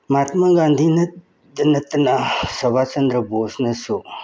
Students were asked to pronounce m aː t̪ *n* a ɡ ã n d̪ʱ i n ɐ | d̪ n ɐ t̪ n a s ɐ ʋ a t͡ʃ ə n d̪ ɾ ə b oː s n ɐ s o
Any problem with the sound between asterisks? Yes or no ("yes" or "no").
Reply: yes